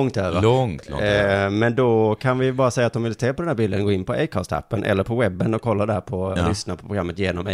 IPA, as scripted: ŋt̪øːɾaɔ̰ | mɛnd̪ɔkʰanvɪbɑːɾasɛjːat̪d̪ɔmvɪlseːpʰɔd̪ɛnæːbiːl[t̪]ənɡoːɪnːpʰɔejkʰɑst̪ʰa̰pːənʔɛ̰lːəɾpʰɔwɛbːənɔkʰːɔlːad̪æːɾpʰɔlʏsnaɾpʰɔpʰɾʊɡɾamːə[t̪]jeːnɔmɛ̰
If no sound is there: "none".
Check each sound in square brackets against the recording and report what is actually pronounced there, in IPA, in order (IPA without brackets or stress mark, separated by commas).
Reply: d̪, t̪